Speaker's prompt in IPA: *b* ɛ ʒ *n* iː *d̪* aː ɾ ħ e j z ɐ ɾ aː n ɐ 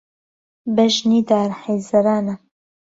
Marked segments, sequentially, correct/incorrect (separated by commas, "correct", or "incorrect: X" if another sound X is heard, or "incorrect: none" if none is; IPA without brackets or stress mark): correct, correct, correct